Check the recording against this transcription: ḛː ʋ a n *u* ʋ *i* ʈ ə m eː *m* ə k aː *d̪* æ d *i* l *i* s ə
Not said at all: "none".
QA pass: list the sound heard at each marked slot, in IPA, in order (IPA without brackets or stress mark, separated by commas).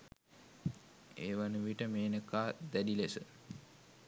u, i, n, d̪, i, e